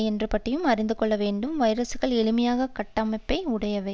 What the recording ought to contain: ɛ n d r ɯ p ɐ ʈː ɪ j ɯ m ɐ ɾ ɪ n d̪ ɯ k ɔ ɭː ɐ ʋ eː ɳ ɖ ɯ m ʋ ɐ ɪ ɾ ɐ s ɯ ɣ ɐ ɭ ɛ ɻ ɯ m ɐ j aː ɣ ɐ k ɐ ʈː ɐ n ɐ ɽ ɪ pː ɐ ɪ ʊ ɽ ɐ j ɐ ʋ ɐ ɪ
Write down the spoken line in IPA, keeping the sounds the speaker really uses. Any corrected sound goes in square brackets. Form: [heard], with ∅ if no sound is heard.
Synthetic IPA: ɛ n d r ɯ p ɐ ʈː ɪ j ɯ m ɐ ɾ ɪ n d̪ ɯ k ɔ ɭː ɐ ʋ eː ɳ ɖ ɯ m ʋ ɐ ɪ ɾ ɐ s ɯ ɣ ɐ ɭ ɛ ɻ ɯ m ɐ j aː ɣ ɐ k ɐ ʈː ɐ [m] ɐ [∅] ɪ pː ɐ ɪ ʊ ɽ ɐ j ɐ ʋ ɐ ɪ

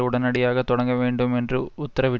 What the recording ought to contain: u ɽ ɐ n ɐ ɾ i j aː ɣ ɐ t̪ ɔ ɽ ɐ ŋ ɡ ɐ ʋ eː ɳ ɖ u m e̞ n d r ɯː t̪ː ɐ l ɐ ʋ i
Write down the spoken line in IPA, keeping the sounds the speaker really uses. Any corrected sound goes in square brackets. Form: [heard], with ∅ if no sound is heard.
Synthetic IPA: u ɽ ɐ n ɐ [ɽ] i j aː ɣ ɐ t̪ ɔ ɽ ɐ ŋ ɡ ɐ ʋ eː ɳ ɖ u m e̞ n d r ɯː t̪ː ɐ [ɾ] ɐ ʋ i

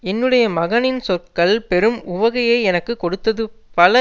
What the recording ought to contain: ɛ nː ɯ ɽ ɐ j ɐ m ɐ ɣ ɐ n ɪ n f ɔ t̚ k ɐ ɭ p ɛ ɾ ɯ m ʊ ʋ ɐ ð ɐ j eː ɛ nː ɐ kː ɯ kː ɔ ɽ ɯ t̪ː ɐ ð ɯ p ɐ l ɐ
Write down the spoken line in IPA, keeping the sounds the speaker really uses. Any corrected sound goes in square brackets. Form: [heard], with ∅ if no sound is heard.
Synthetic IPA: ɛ nː ɯ ɽ ɐ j ɐ m ɐ ɣ ɐ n ɪ n [s] ɔ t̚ k ɐ ɭ p ɛ ɾ ɯ m ʊ ʋ ɐ [ɣ] ɐ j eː ɛ [n] ɐ kː ɯ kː ɔ ɽ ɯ t̪ː ɐ ð ɯ p ɐ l ɐ

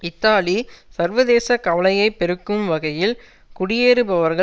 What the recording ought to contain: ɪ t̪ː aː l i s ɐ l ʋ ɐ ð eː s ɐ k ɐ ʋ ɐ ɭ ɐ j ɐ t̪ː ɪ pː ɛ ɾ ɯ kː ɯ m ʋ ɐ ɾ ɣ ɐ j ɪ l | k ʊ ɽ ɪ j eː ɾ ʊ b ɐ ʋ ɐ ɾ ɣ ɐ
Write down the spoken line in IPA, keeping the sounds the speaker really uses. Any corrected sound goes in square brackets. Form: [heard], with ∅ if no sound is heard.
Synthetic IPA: ɪ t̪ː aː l i s ɐ [ɾ] ʋ ɐ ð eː s ɐ k ɐ ʋ ɐ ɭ ɐ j ɐ [∅] ɪ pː ɛ ɾ ɯ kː ɯ m ʋ ɐ [∅] ɣ ɐ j ɪ l | k ʊ ɽ ɪ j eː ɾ [ɯ] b ɐ ʋ ɐ ɾ ɣ ɐ

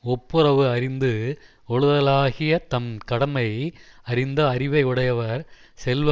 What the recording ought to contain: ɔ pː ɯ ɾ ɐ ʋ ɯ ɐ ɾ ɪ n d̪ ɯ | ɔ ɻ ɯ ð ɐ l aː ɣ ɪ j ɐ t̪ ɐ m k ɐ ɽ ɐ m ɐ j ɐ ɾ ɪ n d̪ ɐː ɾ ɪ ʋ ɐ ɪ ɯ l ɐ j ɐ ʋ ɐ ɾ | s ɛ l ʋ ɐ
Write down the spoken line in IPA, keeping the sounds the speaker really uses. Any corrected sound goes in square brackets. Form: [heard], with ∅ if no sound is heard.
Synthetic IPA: ɔ pː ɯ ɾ ɐ ʋ ɯ ɐ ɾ ɪ n d̪ ɯ | ɔ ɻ ɯ ð ɐ l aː ɣ ɪ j ɐ t̪ ɐ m k ɐ ɽ ɐ m ɐ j ɐ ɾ ɪ n d̪ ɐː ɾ ɪ ʋ ɐ ɪ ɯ [ɽ] ɐ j ɐ ʋ ɐ ɾ | s ɛ l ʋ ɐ

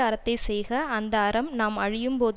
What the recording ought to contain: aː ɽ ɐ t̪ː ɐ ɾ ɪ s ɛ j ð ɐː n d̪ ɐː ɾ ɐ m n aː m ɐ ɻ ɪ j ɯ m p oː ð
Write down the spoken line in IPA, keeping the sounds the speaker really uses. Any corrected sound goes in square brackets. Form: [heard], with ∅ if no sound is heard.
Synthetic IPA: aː [ɾ] ɐ t̪ː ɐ [∅] ɪ s ɛ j [ɣ] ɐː n d̪ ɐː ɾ ɐ m n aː m ɐ ɻ ɪ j ɯ m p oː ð

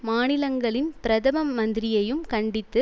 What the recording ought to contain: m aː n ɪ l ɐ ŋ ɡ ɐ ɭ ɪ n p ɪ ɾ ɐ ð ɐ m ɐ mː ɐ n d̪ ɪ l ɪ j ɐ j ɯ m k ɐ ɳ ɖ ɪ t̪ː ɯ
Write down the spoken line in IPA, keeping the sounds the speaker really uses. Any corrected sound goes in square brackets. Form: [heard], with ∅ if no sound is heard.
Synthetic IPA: m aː n ɪ l ɐ ŋ ɡ ɐ ɭ ɪ n p ɪ ɾ ɐ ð ɐ m ɐ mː ɐ n d̪ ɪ [ɾ] ɪ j ɐ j ɯ m k ɐ ɳ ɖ ɪ t̪ː ɯ

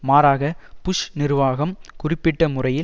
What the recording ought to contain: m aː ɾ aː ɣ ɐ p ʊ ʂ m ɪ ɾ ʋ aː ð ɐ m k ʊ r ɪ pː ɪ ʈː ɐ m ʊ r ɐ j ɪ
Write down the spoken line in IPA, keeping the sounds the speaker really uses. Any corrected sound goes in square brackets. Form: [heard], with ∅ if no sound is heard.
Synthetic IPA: m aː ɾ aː ɣ ɐ p ʊ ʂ [n] ɪ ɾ ʋ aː [ɣ] ɐ m k ʊ r ɪ pː ɪ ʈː ɐ m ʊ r ɐ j ɪ

